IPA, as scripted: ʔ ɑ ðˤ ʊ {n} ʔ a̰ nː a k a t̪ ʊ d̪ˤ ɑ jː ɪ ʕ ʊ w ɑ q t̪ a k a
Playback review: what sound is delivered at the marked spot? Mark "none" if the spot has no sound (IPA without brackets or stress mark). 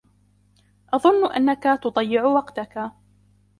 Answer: nː